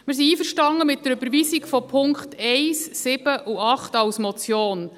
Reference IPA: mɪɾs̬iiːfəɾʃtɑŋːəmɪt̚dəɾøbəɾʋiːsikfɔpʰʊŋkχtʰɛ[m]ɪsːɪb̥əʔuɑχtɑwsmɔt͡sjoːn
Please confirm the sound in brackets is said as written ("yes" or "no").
no